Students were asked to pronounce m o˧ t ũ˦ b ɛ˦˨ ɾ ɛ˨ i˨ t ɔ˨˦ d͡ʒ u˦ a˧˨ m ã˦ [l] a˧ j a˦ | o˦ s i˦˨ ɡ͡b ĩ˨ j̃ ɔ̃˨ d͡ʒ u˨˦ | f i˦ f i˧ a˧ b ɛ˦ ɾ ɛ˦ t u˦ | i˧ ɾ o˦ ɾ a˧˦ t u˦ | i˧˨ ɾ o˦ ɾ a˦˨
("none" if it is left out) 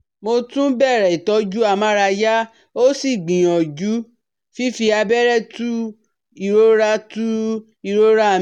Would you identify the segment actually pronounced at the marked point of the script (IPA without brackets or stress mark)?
ɾ